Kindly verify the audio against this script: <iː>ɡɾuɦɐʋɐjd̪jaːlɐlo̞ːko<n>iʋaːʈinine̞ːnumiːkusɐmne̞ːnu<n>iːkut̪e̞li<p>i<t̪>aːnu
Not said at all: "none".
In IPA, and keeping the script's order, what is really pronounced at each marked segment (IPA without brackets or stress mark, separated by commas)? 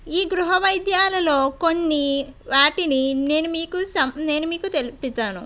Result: iː, nː, m, p, t̪